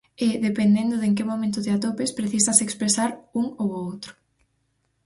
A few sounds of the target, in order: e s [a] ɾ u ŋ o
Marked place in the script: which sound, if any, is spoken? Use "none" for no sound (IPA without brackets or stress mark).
a